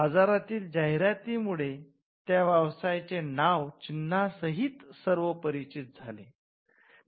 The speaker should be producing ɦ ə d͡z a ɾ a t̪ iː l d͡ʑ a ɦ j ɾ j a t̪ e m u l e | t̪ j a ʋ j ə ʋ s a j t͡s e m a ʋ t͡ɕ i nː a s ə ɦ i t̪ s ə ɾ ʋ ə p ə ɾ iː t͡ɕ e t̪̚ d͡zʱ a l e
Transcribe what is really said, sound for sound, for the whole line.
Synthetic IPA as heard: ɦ ə d͡z a ɾ a t̪ iː l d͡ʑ a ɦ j ɾ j a t̪ i m u ɭ e | t̪ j a ʋ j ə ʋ s a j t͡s e n a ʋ t͡ɕ i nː a s ə ɦ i t̪ s ə ɾ ʋ ə p ə ɾ i t͡ɕ i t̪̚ d͡zʱ a l e